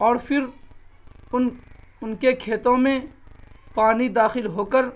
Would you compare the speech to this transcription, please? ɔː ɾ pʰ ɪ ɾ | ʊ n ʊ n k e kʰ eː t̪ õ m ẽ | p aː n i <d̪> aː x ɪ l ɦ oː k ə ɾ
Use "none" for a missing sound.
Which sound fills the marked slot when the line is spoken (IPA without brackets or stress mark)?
d̪